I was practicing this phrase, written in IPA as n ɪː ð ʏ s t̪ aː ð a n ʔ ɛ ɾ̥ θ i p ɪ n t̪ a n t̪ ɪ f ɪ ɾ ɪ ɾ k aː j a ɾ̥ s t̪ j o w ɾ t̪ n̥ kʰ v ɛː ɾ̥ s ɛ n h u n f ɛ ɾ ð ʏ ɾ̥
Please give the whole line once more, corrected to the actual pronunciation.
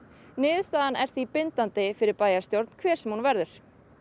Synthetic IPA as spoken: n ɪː ð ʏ s t̪ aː ð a n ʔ ɛ ɾ̥ θ i p ɪ n t̪ a n t̪ ɪ f ɪ ɾ ɪ ɾ p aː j a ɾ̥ s t̪ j o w ɾ t̪ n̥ kʰ v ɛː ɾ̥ s ɛ m h u n v ɛ ɾ ð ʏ ɾ̥

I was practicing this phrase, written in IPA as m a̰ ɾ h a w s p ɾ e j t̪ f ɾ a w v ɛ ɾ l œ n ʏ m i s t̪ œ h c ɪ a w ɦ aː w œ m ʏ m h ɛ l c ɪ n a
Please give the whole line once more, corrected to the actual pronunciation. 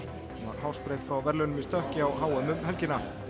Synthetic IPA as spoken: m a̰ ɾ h a w s p ɾ e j t̪ f ɾ a w v ɛ ɾ l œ n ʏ m i s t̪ œ h c ɪ a w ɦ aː w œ m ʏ m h ɛ l c ɪ n a

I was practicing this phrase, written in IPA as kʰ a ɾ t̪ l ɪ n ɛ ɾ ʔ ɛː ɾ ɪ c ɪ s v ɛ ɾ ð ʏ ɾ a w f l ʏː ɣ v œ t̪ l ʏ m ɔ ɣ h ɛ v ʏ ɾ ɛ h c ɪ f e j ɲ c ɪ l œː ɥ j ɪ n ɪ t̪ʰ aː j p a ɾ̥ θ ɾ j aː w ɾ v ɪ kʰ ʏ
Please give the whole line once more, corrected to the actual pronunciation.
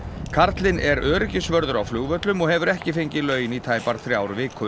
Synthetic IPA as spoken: kʰ a ɾ t̪ l ɪ n ɛ ɾ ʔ œː ɾ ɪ c ɪ s v œ ɾ ð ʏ ɾ a w f l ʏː ɣ v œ t̪ l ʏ m ɔ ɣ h ɛ v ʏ ɾ ɛ h c ɪ f e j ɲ c ɪ l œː ɥ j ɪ n i t̪ʰ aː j p a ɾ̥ θ ɾ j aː w ɾ v ɪ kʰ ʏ

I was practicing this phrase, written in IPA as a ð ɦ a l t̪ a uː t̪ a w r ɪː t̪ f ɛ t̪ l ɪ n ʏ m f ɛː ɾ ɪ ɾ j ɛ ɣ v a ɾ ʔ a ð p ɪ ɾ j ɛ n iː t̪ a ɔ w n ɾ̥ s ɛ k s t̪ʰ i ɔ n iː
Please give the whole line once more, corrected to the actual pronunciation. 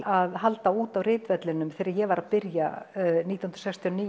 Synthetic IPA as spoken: a ð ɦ a l t̪ a uː t̪ a w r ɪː t̪ v ɛ t̪ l ɪ n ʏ m θ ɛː ɾ ɪ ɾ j ɛ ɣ v a ɾ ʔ a ð p ɪ ɾ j a n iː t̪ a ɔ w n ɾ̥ s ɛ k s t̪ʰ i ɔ n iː

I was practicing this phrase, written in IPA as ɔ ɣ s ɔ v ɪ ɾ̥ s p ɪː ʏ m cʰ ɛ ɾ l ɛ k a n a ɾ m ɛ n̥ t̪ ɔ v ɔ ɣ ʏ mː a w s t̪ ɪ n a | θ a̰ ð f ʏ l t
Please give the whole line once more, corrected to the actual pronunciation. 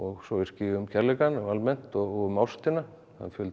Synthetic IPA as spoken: ɔ ɣ s ɔ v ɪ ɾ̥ s c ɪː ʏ m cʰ ɛ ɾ l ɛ k a n a l m ɛ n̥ t̪ ɔ ɣ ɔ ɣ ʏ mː a w s t̪ ɪ n a | θ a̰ ð f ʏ l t

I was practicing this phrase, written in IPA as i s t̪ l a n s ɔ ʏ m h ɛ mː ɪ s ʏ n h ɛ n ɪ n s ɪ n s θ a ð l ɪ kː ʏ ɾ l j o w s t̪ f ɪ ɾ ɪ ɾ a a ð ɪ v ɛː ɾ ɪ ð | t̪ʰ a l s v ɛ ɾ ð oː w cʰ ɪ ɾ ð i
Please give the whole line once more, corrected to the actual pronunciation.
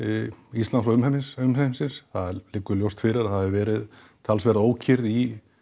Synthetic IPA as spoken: i s t̪ l a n s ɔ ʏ m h ɛ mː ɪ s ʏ m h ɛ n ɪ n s ɪ n s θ a ð l ɪ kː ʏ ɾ l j o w s t̪ f ɪ ɾ ɪ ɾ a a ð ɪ v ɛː ɾ ɪ ð | t̪ʰ a l s v ɛ ɾ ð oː w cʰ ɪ ɾ ð i

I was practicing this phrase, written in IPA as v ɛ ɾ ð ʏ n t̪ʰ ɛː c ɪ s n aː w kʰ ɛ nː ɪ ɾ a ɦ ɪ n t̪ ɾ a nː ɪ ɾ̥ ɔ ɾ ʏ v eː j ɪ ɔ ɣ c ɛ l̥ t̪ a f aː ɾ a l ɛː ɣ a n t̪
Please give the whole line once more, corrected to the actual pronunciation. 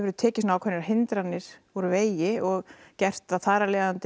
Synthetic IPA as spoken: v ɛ ɾ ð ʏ t̪ʰ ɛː c ɪ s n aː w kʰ ɛ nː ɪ ɾ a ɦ ɪ n t̪ ɾ a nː ɪ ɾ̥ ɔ ɾ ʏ v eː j ɪ ɔ ɣ c ɛ r̥ t̪ a θ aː ɾ a l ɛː ð a n t̪

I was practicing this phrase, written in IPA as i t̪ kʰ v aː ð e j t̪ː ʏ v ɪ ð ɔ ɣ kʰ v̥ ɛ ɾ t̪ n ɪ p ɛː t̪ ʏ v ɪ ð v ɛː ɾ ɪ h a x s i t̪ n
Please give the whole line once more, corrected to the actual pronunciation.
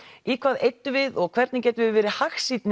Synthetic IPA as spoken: i kʰ v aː ð e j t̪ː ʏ v ɪ ð ɔ ɣ kʰ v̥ ɛ ɾ t̪ n ɪ c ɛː t̪ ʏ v ɪ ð v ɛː ɾ ɪ h a x s i t̪ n

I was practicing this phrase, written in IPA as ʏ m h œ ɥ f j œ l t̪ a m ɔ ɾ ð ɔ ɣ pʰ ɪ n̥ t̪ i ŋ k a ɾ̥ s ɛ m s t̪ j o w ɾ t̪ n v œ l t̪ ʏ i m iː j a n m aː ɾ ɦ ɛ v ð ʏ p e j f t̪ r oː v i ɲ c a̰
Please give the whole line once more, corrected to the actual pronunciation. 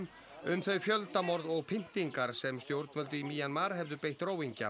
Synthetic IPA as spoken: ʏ m θ œ ɥ f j œ l t̪ a m ɔ ɾ ð ɔ ɣ pʰ ɪ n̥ t̪ i ŋ k a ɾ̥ s ɛ m s t̪ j o w ɾ t̪ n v œ l t̪ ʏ i m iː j a n m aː ɾ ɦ ɛ v ð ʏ p e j h t̪ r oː w i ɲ c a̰

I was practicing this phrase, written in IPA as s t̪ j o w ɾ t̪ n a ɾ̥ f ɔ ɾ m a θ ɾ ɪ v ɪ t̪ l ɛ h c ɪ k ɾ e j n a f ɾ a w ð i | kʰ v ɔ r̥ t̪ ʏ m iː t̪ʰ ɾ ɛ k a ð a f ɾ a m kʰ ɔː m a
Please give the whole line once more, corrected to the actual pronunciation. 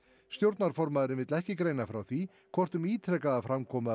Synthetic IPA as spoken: s t̪ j o w ɾ t̪ n a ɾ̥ f ɔ ɾ m a ð ɾ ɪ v ɪ t̪ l ɛ h c ɪ k ɾ e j n a f ɾ a w θ i | kʰ v ɔ r̥ t̪ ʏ m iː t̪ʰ ɾ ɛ k a ð a f ɾ a m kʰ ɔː m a

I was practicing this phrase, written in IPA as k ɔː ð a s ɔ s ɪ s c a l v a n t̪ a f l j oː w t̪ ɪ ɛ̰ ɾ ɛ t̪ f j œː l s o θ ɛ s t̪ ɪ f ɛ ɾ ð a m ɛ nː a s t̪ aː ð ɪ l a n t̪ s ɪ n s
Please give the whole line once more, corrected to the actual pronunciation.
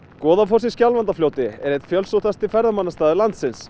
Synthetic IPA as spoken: k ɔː ð a f ɔ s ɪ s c a l v a n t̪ a f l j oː w t̪ ɪ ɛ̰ ɾ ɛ t̪ f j œ l s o θ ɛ s t̪ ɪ f ɛ ɾ ð a m a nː a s t̪ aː ð ɪ l a n t̪ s ɪ n s

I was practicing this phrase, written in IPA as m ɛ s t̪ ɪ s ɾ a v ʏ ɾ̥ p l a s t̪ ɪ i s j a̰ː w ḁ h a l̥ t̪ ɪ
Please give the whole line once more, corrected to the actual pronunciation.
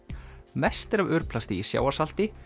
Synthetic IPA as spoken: m ɛ s t̪ ɪ ɾ a v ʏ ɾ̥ p l a s t̪ ɪ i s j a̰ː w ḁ s a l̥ t̪ ɪ

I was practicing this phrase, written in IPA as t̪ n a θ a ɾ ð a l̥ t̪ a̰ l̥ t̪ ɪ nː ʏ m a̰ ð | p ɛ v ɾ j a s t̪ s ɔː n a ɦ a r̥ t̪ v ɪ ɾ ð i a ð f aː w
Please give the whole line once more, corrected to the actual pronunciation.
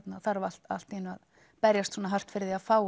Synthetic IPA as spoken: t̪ n a θ a ɾ v a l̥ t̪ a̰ l̥ t̪ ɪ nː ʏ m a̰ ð | p ɛ ɾ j a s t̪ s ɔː n a ɦ a r̥ t̪ f ɪ ɾ ð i a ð f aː w

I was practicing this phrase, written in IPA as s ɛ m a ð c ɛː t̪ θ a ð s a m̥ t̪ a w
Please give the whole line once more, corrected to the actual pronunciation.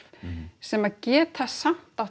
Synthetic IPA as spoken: s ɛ m a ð c ɛː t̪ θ a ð s a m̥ t̪ a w

